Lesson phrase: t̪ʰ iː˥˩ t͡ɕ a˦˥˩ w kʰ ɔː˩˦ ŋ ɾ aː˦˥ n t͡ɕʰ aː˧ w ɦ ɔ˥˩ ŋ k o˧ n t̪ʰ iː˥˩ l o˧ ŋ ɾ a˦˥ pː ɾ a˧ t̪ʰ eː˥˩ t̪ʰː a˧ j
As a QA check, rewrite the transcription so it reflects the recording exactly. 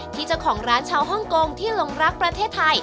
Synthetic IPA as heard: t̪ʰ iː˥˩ t͡ɕ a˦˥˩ w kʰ ɔː˩˦ ŋ ɾ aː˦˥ n t͡ɕʰ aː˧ w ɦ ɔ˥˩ ŋ k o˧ ŋ t̪ʰ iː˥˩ l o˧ ŋ ɾ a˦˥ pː ɾ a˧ t̪ʰ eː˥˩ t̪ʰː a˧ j